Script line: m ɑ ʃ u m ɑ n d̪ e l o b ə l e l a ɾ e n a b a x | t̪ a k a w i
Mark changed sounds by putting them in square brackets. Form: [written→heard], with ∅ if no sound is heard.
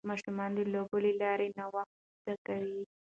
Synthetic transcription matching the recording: m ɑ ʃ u m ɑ n d̪ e l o b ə l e l [a→ɑ] ɾ e n a [b→w] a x | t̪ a k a w i